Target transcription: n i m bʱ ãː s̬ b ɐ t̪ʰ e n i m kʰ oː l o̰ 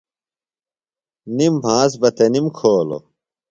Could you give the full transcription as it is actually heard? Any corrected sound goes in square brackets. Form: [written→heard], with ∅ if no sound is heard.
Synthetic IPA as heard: n i m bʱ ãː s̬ b ɐ [t̪ʰ→t̪] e n i m kʰ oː l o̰